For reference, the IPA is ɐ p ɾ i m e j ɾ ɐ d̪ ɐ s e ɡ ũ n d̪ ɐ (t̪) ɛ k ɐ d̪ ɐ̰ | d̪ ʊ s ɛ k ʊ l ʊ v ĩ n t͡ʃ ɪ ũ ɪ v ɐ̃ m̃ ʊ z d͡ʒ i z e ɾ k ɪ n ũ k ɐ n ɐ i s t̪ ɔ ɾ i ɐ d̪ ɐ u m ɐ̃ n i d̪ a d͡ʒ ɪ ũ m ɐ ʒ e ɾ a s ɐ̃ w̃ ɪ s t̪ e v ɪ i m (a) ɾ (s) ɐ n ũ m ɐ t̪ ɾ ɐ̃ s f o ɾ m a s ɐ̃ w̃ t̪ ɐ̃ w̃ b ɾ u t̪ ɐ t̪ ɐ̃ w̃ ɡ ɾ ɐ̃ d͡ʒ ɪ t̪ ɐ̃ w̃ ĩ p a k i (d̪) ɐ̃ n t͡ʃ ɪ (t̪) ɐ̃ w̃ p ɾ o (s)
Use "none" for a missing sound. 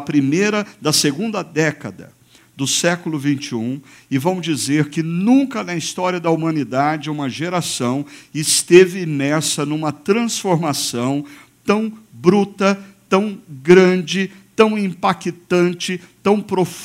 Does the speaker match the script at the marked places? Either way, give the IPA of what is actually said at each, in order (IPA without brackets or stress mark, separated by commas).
d̪, ɛ, s, t̪, t̪, f